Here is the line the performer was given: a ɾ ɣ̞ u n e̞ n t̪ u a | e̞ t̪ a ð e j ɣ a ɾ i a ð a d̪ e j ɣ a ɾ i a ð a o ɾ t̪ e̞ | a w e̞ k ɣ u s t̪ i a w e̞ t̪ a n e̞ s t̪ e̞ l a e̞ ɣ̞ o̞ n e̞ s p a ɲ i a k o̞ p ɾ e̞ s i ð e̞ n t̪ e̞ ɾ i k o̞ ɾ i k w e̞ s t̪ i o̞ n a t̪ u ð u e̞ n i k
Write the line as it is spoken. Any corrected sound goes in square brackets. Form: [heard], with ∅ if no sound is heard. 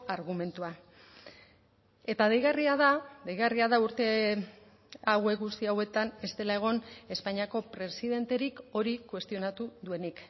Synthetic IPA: a ɾ ɣ̞ u [m] e̞ n t̪ u a | e̞ t̪ a ð e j ɣ a [r] i a ð a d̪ e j ɣ a [r] i a ð a [u] ɾ t̪ e̞ | a w e̞ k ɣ u s t̪ i a w e̞ t̪ a n e̞ s t̪ e̞ l a e̞ ɣ̞ o̞ n e̞ s p a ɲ i a k o̞ p ɾ e̞ s i ð e̞ n t̪ e̞ ɾ i k o̞ ɾ i k w e̞ s t̪ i o̞ n a t̪ u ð u e̞ n i k